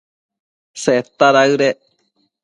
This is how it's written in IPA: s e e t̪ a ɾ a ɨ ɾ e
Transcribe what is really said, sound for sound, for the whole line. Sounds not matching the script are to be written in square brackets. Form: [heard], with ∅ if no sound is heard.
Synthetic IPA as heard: s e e t̪ a ɾ a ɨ ɾ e